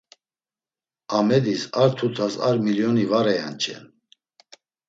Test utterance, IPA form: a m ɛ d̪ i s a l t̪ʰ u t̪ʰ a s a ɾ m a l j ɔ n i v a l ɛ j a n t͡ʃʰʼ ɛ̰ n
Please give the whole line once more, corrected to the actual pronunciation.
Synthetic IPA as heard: a m ɛ d̪ i s a ɾ t̪ʰ u t̪ʰ a s a ɾ m i l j ɔ n i v a ɾ ɛ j a n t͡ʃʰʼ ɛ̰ n